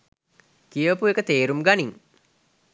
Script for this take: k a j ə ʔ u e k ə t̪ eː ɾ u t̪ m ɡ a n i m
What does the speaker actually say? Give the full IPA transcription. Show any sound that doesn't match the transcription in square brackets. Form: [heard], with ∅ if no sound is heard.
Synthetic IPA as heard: k [i] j ə [p] u e k ə t̪ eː ɾ u [∅] m ɡ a n i [ŋ]

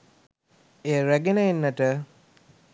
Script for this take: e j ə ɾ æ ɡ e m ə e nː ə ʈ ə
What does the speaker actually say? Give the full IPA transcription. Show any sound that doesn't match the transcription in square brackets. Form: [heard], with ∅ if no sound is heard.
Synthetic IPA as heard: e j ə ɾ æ ɡ e [n] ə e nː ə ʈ ə

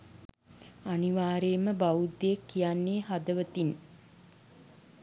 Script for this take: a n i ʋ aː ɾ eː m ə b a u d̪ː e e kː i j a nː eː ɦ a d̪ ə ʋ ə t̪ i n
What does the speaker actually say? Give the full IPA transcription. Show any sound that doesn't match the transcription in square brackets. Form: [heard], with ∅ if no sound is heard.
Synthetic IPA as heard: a n i ʋ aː ɾ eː m ə b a u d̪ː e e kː i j a nː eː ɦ a d̪ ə ʋ ə t̪ i n

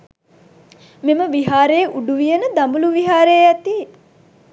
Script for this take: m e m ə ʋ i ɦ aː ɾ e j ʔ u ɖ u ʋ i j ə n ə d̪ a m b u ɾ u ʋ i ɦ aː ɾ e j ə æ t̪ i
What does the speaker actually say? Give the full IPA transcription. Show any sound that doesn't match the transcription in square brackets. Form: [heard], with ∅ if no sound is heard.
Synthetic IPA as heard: m e m ə ʋ i ɦ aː ɾ e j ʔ u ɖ u ʋ i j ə n ə d̪ a m b u [l] u ʋ i ɦ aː ɾ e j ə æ t̪ i

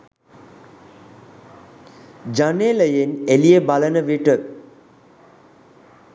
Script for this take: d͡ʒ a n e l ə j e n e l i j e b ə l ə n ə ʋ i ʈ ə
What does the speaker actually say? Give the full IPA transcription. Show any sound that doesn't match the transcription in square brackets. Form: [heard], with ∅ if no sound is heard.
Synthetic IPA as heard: d͡ʒ a n e l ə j e n e l i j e b [a] l ə n ə ʋ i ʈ ə

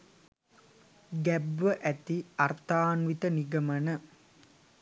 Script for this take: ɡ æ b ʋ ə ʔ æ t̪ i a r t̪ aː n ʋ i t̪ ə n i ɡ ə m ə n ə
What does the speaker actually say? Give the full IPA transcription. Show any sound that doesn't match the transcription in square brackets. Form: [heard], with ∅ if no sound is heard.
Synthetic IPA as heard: ɡ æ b ʋ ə ʔ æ t̪ i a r t̪ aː n ʋ i t̪ ə n i ɡ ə m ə n ə

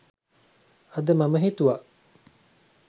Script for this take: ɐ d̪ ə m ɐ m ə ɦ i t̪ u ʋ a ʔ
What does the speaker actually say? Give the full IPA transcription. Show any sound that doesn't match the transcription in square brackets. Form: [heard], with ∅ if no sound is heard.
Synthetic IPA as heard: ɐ d̪ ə m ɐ m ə ɦ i t̪ u ʋ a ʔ

